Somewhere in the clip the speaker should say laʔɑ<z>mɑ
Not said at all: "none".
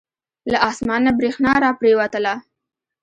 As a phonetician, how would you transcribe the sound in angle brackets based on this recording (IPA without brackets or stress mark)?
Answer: s